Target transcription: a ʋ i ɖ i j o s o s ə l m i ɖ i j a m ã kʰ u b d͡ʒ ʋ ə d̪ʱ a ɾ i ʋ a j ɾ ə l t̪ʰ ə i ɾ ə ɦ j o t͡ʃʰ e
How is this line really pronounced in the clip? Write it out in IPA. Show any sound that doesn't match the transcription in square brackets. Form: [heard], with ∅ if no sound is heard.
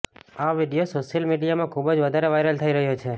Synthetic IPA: a ʋ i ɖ i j o s o [ʃ] ə l m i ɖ i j a m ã kʰ u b d͡ʒ ʋ ə d̪ʱ a ɾ [e] ʋ a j ɾ ə l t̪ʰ ə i ɾ ə ɦ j o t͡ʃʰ e